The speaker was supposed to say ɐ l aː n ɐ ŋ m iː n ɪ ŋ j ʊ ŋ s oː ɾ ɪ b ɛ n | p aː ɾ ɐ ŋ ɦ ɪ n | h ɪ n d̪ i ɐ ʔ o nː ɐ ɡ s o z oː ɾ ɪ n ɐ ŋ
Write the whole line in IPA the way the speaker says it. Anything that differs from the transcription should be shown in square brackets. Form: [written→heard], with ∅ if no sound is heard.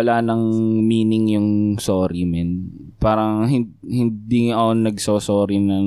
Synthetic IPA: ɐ l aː n ɐ ŋ m iː n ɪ ŋ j ʊ ŋ s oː ɾ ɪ [b→m] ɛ n | p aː ɾ ɐ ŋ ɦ ɪ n | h ɪ n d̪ i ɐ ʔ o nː ɐ ɡ s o [z→s] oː ɾ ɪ n ɐ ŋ